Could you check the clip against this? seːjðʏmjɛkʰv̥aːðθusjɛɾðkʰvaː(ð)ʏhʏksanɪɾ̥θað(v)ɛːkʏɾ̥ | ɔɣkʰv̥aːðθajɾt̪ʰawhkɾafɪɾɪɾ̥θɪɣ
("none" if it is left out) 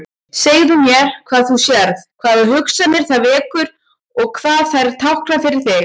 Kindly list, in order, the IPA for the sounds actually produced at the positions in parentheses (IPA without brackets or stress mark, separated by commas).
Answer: ð, v